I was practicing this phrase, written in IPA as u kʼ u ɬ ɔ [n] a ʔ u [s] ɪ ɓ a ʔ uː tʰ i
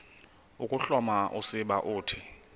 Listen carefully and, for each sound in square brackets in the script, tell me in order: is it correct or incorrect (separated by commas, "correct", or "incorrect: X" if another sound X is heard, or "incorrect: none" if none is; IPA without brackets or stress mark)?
incorrect: m, correct